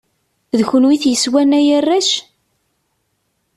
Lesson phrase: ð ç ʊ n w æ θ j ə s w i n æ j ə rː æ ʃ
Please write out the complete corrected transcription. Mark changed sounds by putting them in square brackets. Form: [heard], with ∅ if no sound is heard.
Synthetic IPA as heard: ð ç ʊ n w [i] θ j ə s w [æ] n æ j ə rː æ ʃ

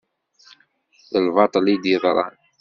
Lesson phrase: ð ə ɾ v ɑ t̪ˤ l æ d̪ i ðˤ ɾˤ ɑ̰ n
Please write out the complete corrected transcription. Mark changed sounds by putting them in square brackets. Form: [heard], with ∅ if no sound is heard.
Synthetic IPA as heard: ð ə [l] v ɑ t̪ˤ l [i] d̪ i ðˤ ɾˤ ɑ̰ n

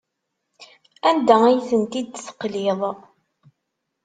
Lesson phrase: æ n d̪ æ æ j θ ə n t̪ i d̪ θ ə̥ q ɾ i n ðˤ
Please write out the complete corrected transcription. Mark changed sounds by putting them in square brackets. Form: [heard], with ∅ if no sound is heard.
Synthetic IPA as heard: æ n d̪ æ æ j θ ə n t̪ i d̪ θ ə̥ q [l] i [∅] ðˤ

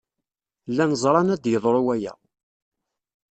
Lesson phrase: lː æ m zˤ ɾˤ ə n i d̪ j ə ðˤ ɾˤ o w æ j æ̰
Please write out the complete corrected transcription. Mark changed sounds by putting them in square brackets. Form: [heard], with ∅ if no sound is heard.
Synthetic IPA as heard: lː æ [n] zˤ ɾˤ [ɑ] n [æ] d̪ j ə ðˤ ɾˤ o w æ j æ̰

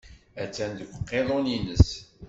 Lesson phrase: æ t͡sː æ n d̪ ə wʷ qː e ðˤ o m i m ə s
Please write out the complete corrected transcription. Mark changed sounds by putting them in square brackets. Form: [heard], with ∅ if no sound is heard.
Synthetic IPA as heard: æ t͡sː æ n d̪ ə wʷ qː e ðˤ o [n] i [n] ə s

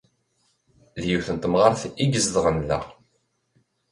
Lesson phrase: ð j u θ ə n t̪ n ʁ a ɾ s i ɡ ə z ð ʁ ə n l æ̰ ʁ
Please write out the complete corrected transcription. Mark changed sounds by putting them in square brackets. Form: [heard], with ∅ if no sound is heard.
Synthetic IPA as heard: ð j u θ ə n t̪ [m] ʁ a ɾ [θ] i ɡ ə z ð ʁ ə n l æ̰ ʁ

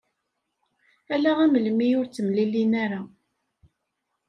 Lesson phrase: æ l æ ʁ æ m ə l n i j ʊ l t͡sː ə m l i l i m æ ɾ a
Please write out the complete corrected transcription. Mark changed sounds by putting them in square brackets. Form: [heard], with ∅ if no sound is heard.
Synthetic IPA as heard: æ l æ ʁ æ m ə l [m] i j ʊ [ɾ] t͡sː ə m l i l i [n] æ ɾ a

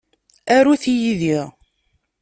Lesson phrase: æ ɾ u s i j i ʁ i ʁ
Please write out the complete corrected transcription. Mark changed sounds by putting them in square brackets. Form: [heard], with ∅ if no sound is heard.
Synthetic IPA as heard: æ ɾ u [θ] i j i [ð] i ʁ

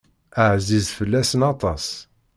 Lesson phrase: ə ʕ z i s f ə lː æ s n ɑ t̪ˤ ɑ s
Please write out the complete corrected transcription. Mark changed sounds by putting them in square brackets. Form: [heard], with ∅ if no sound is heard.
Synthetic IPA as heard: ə ʕ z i [z] f ə lː æ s n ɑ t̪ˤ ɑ s

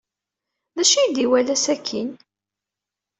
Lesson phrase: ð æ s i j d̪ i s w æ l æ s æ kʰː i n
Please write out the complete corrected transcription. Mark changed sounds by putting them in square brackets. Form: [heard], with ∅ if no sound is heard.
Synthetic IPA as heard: ð æ [ʃ] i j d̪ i [∅] w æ l æ s æ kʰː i n

